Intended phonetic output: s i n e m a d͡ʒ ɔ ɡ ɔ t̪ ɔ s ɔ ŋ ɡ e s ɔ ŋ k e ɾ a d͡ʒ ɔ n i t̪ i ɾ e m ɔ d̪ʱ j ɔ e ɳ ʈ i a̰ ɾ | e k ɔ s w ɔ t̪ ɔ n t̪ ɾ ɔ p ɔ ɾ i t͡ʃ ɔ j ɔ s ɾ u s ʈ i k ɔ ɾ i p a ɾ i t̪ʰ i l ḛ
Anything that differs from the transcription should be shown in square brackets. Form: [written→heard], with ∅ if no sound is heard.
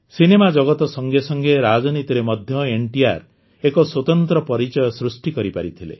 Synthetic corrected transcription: s i n e m a d͡ʒ ɔ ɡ ɔ t̪ ɔ s ɔ ŋ ɡ e s ɔ ŋ [k→ɡ] e ɾ a d͡ʒ ɔ n i t̪ i ɾ e m ɔ d̪ʱ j ɔ e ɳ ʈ i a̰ ɾ | e k ɔ s w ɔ t̪ ɔ n t̪ ɾ ɔ p ɔ ɾ i t͡ʃ ɔ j ɔ s ɾ u s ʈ i k ɔ ɾ i p a ɾ i t̪ʰ i l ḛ